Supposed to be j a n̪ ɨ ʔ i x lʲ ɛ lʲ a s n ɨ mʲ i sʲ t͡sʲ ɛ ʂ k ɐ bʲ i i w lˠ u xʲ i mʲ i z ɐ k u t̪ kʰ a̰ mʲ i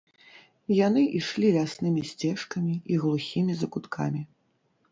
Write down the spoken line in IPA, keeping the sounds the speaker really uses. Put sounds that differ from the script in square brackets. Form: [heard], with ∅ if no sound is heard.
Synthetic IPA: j a n̪ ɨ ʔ i [ʂ] lʲ [i] lʲ a s n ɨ mʲ i sʲ t͡sʲ ɛ ʂ k ɐ [mʲ] i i [ɣ] lˠ u xʲ i mʲ i z ɐ k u t̪ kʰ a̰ mʲ i